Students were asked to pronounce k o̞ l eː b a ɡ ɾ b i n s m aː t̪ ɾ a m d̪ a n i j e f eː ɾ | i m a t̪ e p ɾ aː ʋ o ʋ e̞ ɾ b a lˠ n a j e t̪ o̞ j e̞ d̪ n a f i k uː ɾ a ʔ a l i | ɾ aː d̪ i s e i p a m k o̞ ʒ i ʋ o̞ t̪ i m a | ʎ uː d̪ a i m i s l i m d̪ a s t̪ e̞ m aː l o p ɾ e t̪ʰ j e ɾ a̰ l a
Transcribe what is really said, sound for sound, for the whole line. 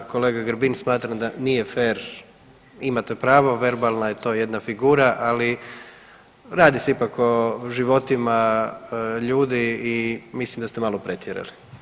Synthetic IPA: k o̞ l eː ɡ a ɡ ɾ b i n s m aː t̪ ɾ a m d̪ a n i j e f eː ɾ | i m a t̪ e p ɾ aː ʋ o ʋ e̞ ɾ b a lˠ n a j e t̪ o̞ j e̞ d̪ n a f i ɡ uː ɾ a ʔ a l i | ɾ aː d̪ i s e i p a k o̞ ʒ i ʋ o̞ t̪ i m a | ʎ uː d̪ i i m i s l i m d̪ a s t̪ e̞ m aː l o p ɾ e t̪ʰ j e ɾ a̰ l i